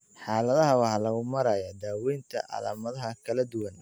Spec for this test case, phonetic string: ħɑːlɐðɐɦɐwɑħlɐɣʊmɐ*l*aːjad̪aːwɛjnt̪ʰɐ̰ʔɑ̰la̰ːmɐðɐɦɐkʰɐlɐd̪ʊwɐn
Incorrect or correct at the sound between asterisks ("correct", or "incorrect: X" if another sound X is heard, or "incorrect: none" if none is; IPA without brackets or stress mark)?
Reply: incorrect: ɾ